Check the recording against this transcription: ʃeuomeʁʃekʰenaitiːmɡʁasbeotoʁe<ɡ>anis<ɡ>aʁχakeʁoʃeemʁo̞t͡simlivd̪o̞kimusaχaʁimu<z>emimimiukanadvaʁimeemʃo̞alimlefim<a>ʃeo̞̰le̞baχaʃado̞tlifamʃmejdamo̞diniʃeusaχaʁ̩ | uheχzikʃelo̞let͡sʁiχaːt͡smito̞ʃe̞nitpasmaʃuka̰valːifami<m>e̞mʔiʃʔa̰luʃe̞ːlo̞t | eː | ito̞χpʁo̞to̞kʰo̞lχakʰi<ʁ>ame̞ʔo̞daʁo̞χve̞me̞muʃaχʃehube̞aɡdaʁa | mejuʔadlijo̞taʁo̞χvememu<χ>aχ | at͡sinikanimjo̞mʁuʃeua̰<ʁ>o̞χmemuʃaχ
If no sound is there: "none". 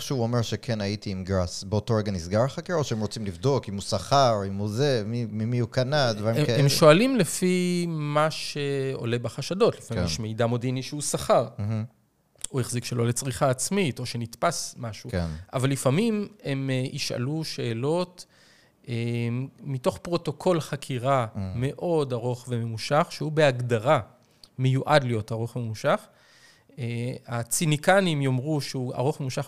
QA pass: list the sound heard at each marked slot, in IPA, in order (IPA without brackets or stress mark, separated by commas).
ɡ, ɡ, z, a, m, ʁ, ʃ, ʁ